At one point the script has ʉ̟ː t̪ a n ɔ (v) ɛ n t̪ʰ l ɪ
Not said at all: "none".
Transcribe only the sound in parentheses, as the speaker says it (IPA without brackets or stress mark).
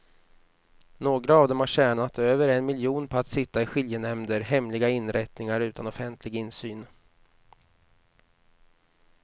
f